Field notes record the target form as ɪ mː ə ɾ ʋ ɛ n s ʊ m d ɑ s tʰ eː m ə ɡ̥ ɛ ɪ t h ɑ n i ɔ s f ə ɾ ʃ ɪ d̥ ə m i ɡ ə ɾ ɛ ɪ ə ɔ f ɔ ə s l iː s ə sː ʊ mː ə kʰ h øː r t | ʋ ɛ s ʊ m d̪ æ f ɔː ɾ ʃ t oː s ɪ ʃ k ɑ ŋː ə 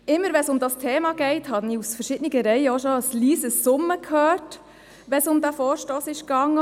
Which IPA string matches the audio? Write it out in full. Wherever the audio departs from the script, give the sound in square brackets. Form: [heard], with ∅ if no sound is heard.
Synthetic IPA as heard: ɪ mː ə ɾ ʋ ɛ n s ʊ m d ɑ s tʰ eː m [ɑ] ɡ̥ ɛ ɪ t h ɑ n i [u] s f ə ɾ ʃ ɪ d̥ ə [n] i ɡ ə ɾ ɛ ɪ ə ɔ [ʃ] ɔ ə s l iː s ə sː ʊ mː ə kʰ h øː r t | ʋ ɛ s ʊ m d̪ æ f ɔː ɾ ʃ t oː s ɪ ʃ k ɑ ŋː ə